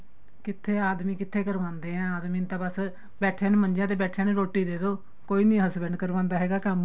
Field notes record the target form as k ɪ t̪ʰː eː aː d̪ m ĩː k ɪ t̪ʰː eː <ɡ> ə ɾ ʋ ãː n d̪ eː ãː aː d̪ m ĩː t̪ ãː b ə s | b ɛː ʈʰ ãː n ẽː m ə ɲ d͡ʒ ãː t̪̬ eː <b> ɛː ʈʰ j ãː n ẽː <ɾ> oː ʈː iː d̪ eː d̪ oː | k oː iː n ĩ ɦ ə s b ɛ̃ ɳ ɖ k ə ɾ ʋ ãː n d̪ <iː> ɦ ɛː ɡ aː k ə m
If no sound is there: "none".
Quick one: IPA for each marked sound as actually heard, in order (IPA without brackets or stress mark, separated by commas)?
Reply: k, b, ɾ, aː